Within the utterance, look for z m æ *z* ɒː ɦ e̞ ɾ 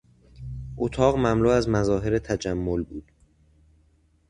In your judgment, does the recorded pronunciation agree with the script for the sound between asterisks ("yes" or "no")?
yes